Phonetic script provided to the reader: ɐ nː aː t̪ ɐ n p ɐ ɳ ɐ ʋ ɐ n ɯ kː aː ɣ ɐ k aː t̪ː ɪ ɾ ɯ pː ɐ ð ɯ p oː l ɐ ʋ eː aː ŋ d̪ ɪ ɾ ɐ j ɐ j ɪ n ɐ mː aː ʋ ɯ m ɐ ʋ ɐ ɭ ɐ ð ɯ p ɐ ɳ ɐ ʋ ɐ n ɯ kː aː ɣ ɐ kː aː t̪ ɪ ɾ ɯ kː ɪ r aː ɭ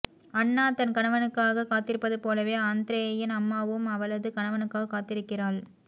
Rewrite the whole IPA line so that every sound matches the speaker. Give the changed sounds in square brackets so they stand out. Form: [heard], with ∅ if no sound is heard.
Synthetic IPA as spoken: ɐ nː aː t̪ ɐ n [k] ɐ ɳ ɐ ʋ ɐ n ɯ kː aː ɣ ɐ k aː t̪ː ɪ ɾ ɯ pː ɐ ð ɯ p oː l ɐ ʋ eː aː [n] d̪ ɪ ɾ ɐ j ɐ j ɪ n ɐ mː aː ʋ ɯ m ɐ ʋ ɐ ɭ ɐ ð ɯ [k] ɐ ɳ ɐ ʋ ɐ n ɯ kː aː ɣ ɐ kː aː t̪ ɪ ɾ ɯ kː ɪ r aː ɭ